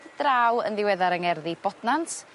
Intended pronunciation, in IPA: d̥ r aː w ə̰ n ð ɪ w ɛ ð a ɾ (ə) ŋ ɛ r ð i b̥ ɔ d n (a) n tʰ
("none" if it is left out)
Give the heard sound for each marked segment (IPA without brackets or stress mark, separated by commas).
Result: ə, a